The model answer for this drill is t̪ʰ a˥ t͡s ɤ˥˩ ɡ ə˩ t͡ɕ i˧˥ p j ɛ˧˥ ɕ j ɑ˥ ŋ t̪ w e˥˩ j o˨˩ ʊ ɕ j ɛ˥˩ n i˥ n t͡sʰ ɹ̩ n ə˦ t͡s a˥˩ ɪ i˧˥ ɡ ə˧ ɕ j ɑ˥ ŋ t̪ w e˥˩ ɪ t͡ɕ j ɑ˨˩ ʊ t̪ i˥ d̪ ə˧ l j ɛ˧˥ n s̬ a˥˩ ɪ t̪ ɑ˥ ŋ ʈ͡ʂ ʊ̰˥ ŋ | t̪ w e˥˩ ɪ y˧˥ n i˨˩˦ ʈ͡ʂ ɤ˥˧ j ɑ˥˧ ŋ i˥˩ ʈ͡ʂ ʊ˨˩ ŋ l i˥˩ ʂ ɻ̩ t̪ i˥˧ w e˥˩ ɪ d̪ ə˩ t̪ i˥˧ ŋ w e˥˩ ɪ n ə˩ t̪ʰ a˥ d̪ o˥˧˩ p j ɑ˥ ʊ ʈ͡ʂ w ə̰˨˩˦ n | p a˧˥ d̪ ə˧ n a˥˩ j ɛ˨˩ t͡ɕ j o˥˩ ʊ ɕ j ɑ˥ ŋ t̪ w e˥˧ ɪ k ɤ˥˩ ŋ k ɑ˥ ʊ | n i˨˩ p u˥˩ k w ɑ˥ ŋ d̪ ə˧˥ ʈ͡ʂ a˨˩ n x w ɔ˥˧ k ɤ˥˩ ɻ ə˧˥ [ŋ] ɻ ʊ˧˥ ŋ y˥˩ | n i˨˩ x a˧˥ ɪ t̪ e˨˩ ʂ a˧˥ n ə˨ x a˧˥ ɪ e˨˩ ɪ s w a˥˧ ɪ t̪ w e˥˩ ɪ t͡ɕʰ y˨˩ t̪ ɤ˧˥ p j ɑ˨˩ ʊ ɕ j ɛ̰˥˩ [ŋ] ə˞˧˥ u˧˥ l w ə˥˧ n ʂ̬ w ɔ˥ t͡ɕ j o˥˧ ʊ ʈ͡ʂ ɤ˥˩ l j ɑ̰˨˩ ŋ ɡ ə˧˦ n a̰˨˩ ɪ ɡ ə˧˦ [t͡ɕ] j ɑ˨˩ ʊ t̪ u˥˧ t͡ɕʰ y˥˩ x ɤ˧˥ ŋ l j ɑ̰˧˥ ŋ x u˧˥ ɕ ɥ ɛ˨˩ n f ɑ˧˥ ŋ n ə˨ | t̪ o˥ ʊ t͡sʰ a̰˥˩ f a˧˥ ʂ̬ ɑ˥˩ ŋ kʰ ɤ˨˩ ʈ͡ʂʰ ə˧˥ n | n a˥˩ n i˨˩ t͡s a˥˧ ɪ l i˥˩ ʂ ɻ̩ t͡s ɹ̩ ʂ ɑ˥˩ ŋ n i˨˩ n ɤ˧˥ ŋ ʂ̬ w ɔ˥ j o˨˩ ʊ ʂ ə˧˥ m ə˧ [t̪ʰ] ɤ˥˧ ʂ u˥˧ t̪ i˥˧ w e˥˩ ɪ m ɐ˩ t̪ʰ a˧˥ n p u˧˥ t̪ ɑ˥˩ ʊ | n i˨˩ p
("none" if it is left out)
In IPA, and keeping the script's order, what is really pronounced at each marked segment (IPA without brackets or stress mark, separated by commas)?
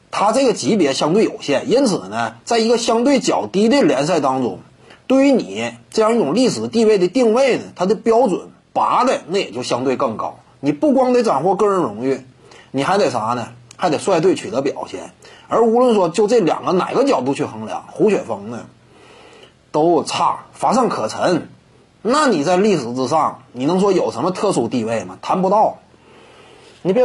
n, n, t͡ɕ, t̪ʰ